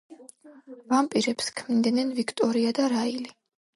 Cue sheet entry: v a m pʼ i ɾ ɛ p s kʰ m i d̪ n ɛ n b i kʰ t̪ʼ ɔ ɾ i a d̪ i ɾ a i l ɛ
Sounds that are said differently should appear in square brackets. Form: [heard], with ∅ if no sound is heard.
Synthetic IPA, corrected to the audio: v a m pʼ i ɾ ɛ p s kʰ m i d̪ n ɛ n [v] i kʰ t̪ʼ ɔ ɾ i a d̪ [a] ɾ a i l [i]